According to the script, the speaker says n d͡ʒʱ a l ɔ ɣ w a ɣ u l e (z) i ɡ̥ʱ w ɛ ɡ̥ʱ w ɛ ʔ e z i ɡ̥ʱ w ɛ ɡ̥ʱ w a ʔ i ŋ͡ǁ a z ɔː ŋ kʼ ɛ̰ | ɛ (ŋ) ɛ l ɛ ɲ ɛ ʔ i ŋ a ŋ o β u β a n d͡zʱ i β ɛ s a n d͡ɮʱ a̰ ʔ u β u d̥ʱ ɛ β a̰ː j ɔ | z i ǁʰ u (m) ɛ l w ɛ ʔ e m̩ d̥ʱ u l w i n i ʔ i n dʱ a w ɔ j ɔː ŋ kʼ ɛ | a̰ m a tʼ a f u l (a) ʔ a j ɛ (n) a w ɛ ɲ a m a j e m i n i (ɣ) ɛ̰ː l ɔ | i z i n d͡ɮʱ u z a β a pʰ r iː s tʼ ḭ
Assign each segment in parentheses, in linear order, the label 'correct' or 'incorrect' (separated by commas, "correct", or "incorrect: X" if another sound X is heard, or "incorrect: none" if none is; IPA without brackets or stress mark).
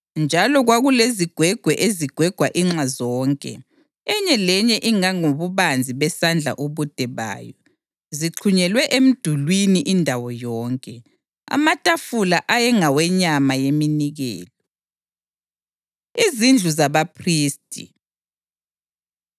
correct, incorrect: ɲ, incorrect: ɲ, correct, incorrect: ŋ, correct